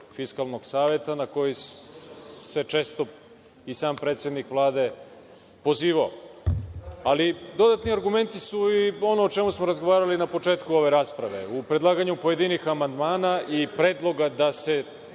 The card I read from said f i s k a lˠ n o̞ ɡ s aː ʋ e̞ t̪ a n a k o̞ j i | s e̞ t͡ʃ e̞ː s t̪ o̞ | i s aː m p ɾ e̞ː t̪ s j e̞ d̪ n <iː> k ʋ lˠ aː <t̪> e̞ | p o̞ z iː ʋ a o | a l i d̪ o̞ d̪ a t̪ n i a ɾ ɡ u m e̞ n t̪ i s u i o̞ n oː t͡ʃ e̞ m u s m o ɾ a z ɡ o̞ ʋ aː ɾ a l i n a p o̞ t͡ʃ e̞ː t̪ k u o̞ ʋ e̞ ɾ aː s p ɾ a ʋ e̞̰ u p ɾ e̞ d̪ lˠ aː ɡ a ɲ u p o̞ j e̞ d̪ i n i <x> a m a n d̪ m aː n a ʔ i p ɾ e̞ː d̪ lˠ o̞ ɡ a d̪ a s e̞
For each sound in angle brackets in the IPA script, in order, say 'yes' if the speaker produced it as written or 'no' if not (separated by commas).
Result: no, no, yes